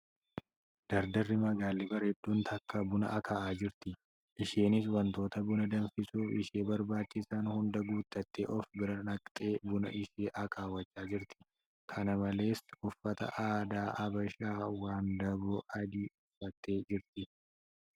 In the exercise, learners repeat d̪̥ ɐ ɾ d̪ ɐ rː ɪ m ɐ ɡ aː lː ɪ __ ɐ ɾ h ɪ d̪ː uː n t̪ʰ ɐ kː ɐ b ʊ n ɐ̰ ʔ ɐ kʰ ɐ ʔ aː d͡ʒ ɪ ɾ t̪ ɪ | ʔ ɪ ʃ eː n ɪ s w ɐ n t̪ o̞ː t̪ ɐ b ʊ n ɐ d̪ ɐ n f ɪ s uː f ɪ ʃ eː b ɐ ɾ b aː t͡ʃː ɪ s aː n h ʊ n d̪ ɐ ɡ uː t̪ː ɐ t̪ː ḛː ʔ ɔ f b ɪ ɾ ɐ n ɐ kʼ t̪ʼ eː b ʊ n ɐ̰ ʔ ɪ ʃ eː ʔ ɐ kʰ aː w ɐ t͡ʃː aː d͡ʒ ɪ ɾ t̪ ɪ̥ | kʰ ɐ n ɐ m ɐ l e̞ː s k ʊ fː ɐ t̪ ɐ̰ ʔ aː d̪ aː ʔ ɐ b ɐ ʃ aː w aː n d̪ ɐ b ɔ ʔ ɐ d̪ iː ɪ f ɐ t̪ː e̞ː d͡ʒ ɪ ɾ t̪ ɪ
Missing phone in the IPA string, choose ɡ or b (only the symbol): b